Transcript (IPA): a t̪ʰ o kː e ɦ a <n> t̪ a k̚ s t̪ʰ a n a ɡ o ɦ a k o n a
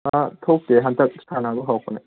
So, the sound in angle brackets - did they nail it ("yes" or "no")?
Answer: yes